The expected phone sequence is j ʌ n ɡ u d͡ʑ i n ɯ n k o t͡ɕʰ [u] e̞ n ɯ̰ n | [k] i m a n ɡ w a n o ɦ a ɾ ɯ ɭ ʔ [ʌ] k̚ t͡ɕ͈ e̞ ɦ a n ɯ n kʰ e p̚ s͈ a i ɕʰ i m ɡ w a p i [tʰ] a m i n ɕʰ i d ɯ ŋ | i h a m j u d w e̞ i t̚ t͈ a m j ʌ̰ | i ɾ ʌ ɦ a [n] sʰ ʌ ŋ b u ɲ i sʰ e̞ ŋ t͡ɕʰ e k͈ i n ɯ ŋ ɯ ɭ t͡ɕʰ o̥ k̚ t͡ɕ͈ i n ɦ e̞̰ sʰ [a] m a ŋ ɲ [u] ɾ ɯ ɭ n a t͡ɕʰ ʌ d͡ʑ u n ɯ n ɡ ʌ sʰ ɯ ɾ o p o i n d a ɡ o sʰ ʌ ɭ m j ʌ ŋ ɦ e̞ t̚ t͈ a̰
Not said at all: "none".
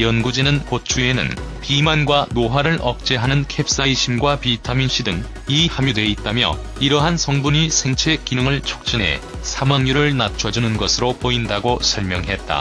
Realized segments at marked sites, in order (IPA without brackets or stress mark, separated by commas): u, p, ʌ, tʰ, n, a, u